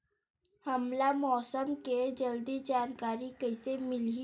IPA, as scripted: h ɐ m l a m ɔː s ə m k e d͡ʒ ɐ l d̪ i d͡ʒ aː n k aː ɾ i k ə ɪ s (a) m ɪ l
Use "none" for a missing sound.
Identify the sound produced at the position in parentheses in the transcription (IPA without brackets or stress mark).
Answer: e